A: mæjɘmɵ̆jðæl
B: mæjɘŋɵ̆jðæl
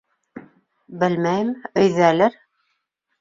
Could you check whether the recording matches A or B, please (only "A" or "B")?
A